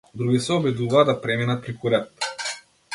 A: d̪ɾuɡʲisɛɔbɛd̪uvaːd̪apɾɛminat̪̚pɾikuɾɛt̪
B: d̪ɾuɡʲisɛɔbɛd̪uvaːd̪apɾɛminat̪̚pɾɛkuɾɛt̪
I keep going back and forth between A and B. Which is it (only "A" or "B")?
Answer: A